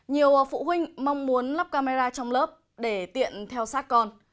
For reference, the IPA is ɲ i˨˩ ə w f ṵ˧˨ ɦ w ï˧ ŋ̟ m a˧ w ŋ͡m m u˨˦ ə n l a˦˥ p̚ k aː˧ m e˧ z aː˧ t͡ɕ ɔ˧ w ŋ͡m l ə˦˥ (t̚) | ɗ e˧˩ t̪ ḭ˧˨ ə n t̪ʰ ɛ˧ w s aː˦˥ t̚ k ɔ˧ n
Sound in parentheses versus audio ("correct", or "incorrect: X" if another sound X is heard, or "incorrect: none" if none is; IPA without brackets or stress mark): incorrect: p̚